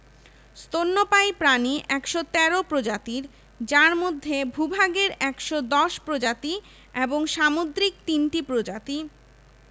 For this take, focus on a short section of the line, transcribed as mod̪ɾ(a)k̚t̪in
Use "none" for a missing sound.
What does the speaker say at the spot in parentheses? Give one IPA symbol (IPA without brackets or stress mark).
i